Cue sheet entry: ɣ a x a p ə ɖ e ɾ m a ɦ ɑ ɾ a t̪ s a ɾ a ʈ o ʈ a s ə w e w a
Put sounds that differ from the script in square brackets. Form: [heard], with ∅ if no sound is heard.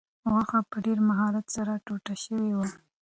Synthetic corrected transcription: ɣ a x a p ə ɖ e ɾ m a ɦ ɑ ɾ a t̪ s a ɾ a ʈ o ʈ a [ʃ] ə w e w a